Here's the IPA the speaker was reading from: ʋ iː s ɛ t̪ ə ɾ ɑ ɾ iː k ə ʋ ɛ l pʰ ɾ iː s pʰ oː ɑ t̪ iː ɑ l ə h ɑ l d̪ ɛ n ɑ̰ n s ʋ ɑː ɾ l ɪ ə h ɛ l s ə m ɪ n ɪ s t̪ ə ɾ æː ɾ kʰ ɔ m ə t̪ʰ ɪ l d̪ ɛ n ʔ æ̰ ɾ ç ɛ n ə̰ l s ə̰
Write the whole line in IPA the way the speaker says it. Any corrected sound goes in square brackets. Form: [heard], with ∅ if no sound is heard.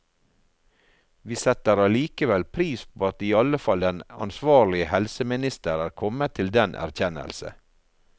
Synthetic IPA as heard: ʋ iː s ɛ t̪ ə ɾ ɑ [l] iː k ə ʋ ɛ l pʰ ɾ iː s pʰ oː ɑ t̪ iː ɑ l ə [f] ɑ l d̪ ɛ n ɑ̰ n s ʋ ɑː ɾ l ɪ ə h ɛ l s ə m ɪ n ɪ s t̪ ə ɾ æː ɾ kʰ ɔ m ə t̪ʰ ɪ l d̪ ɛ n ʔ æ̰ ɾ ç ɛ n ə̰ l s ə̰